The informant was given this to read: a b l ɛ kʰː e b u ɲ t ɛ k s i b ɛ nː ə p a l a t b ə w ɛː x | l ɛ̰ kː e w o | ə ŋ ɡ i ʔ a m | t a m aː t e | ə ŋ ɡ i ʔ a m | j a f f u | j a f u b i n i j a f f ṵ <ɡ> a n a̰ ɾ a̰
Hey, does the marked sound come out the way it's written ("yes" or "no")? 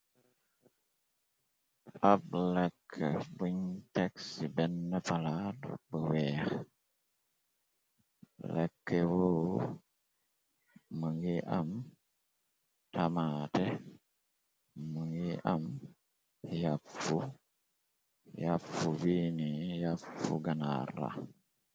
yes